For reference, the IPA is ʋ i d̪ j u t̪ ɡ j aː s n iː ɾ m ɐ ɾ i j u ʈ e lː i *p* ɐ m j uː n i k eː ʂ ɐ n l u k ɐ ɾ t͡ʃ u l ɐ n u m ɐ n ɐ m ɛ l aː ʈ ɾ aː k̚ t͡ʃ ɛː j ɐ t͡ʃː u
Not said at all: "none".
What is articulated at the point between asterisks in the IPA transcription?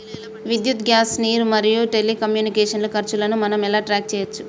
k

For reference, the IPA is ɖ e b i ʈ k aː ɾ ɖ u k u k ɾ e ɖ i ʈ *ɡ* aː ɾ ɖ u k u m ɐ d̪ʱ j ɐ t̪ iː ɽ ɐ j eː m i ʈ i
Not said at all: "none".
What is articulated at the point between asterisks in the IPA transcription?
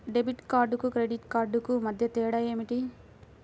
k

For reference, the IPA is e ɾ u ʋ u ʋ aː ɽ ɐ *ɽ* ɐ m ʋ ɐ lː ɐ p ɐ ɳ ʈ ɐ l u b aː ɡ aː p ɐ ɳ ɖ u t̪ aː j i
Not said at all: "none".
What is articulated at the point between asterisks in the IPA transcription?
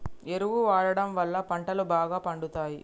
ɽ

